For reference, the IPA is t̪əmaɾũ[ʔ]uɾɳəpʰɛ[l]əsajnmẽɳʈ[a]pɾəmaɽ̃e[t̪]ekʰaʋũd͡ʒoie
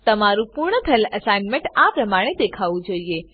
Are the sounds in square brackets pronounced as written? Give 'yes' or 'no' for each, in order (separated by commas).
no, yes, yes, no